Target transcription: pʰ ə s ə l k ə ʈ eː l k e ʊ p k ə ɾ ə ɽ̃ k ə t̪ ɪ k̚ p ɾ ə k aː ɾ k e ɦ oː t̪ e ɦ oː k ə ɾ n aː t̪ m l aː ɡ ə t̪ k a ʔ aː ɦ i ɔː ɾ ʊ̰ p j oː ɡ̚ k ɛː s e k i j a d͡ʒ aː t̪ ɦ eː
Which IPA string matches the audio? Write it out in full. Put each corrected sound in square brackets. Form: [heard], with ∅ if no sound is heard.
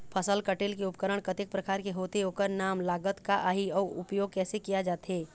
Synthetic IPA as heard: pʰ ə s ə l k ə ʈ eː l k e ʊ p k ə ɾ ə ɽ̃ k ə t̪ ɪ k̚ p ɾ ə k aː ɾ k e ɦ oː t̪ e ɦ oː k ə ɾ n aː [∅] m l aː ɡ ə t̪ k a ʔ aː ɦ i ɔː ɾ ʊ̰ p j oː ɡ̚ k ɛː s e k i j a d͡ʒ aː t̪ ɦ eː